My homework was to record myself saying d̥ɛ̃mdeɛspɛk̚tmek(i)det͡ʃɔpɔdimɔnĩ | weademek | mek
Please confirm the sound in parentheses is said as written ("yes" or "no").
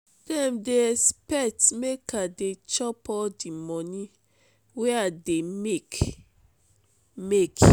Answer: no